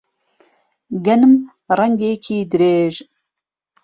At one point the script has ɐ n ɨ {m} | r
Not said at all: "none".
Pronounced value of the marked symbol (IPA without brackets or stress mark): m